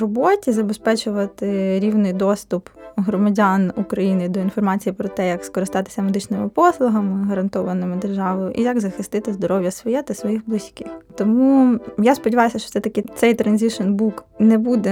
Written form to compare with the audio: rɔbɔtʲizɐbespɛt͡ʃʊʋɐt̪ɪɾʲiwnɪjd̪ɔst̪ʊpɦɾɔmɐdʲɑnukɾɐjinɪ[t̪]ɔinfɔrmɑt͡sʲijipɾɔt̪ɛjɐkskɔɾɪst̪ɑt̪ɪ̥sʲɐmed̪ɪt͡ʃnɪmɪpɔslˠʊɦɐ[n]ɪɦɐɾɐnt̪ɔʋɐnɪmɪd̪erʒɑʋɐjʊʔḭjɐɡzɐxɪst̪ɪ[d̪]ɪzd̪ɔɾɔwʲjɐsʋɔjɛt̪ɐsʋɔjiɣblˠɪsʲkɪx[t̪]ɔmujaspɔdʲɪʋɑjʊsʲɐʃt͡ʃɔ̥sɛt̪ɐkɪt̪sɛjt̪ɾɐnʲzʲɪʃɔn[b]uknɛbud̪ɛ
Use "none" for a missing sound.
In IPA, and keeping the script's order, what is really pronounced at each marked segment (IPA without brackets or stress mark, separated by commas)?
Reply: d̪, m, t̪, t̪, b